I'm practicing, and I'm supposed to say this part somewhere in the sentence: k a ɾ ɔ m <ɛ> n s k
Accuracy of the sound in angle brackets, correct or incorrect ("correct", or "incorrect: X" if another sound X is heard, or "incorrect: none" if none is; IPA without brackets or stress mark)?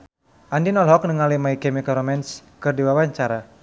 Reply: correct